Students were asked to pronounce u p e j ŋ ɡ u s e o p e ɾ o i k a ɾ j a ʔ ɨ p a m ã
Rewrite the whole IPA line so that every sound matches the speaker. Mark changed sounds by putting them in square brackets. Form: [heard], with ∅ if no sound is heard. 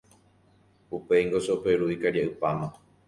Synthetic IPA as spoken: u p e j ŋ ɡ [o] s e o p e ɾ [u] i k a ɾ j a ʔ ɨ p a m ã